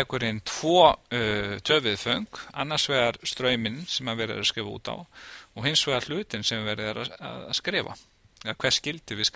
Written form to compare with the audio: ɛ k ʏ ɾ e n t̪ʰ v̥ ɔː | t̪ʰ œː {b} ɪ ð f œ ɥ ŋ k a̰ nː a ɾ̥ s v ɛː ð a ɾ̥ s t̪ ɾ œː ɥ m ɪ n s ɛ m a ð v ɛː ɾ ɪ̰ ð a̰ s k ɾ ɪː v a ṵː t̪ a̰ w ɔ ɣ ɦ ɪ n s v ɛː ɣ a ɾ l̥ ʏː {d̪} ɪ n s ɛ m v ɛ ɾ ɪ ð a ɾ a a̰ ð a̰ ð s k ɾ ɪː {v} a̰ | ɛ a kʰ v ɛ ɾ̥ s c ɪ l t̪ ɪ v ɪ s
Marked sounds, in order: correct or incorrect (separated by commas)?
incorrect, incorrect, correct